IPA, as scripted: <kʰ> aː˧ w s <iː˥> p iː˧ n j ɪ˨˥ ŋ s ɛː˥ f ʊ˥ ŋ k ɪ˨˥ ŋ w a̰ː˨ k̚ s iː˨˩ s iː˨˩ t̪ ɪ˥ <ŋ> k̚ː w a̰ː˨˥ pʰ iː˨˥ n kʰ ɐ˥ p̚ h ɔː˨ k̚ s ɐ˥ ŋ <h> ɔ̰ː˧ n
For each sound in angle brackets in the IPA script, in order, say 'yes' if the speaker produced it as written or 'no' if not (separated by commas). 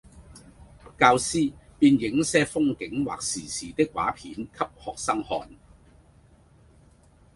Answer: no, yes, no, yes